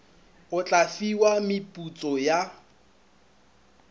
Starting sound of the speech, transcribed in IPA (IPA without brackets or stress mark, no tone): ʊ